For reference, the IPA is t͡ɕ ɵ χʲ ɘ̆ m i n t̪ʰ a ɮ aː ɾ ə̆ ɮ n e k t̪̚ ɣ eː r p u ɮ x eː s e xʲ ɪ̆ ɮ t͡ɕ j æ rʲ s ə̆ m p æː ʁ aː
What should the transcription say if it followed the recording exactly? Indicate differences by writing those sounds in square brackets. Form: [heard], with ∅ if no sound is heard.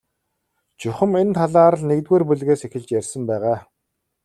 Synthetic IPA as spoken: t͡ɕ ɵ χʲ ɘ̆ m [e] n t̪ʰ a ɮ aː ɾ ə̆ ɮ n e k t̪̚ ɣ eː r p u ɮ [ɣ] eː s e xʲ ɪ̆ ɮ t͡ɕ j æ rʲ s ə̆ m p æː ʁ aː